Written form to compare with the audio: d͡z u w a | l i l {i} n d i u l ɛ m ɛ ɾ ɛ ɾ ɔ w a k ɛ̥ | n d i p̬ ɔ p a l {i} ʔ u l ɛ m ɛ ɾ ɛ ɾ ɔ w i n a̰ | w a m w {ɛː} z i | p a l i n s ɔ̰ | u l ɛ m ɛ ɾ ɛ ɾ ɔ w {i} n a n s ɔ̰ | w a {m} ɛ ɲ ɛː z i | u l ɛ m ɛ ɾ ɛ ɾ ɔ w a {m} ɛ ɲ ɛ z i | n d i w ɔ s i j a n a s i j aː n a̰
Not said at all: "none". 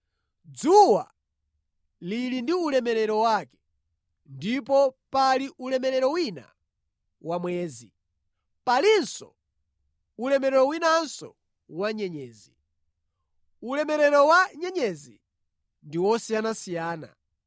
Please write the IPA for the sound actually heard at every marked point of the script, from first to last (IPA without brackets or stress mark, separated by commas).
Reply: i, i, ɛː, i, ɲ, ɲ